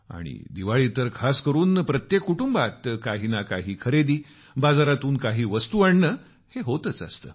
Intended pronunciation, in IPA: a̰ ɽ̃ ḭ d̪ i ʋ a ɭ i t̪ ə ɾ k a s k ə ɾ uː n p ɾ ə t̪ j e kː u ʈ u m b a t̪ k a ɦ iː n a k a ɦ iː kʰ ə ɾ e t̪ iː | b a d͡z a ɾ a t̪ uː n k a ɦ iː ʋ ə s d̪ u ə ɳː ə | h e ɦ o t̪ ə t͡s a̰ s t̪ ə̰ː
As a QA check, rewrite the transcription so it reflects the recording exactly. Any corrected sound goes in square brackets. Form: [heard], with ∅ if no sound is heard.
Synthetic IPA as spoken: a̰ ɽ̃ ḭ d̪ i ʋ a ɭ i t̪ ə ɾ [kʰ] a s k ə ɾ uː n p ɾ ə t̪ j e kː u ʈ u m b a t̪ k a ɦ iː n a k a ɦ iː kʰ ə ɾ e [d̪] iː | b a d͡z a ɾ a t̪ uː n k a ɦ iː ʋ ə s [t̪] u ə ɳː ə | h e ɦ o t̪ ə t͡s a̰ s t̪ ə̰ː